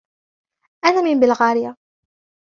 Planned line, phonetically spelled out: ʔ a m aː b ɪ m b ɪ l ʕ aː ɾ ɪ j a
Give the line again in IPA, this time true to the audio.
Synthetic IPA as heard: ʔ a n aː m ɪ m b ɪ l ɣ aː ɾ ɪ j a

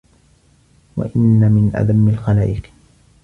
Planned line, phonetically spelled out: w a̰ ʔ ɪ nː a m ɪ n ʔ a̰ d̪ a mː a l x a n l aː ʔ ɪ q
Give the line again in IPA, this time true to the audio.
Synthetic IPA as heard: w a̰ ʔ ɪ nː a m ɪ n ʔ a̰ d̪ a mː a l x a l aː ʔ ɪ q

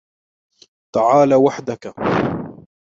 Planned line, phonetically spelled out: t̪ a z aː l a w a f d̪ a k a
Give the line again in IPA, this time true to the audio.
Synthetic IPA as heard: t̪ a ʕ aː l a w a ħ d̪ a k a

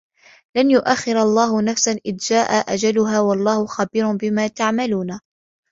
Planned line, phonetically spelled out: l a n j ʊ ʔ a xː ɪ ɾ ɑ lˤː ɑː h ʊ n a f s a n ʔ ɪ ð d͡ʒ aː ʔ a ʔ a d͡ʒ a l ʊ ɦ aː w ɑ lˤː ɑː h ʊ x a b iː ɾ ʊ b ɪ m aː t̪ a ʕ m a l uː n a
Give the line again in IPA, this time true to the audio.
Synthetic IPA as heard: l a n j ʊ ʔ a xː ɪ ɾ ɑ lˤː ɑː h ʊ n a f s a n ʔ ɪ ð d͡ʒ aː ʔ a ʔ a d͡ʒ a l ʊ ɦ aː w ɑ lˤː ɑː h ʊ x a b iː ɾ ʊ b ɪ m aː t̪ a ʕ m a l uː n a

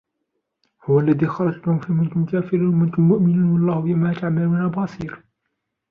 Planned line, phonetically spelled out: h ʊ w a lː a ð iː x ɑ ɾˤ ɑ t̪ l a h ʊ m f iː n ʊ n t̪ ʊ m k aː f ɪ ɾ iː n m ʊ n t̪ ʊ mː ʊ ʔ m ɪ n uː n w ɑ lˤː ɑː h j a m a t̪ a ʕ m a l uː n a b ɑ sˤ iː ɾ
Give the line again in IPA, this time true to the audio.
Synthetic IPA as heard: h ʊ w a lː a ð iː x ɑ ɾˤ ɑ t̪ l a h ʊ m f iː m ʊ n t̪ ʊ m k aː f ɪ ɾ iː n m ʊ n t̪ ʊ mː ʊ ʔ m ɪ n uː n w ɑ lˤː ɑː h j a m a t̪ a ʕ m a l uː n a b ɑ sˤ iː ɾ

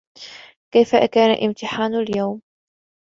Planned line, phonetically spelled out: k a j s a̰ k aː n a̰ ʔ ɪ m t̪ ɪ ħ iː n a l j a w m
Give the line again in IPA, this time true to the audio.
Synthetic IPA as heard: k a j f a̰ k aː n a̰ ʔ ɪ m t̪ ɪ ħ aː n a l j a w m

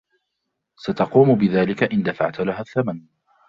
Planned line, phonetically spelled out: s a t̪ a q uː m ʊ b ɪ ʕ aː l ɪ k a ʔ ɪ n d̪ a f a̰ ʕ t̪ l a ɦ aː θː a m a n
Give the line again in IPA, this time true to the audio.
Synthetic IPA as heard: s a t̪ ɑ q uː m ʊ b ɪ ð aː l ɪ k a ʔ ɪ n d̪ a f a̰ ʕ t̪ l a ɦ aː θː a m a n

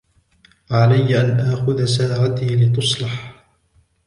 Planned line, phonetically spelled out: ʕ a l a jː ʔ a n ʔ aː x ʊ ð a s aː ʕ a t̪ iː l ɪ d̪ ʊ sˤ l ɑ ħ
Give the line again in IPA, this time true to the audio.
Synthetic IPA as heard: ʕ a l a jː ʔ a n ʔ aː x ʊ ð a s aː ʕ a t̪ iː l ɪ t̪ ʊ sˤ l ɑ ħ

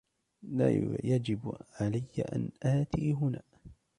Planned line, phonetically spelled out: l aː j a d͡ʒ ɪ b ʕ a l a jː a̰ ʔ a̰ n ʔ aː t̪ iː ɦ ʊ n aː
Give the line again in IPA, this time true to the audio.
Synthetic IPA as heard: l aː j a d͡ʒ ɪ b ʕ a l a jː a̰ ʔ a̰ n ʔ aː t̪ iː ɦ ʊ n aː

